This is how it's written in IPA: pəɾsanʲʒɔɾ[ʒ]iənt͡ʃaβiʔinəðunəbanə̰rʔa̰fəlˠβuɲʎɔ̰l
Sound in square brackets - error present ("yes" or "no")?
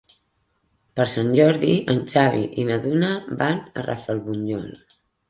yes